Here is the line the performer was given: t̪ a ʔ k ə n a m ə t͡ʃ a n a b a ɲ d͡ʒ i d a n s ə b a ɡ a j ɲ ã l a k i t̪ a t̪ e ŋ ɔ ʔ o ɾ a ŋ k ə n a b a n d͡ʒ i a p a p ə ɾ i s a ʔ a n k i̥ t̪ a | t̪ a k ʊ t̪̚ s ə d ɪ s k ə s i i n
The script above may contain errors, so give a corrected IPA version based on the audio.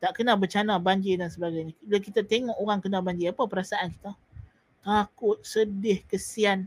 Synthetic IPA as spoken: t̪ a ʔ k ə n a b ə t͡ʃ a n a b a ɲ d͡ʒ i d a n s ə b a ɡ a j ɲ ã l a k i t̪ a t̪ e ŋ ɔ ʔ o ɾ a ŋ k ə n a b a ɲ d͡ʒ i a p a p ə ɾ a s a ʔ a n k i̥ t̪ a | t̪ a k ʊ t̪̚ s ə d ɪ h k ə s i a n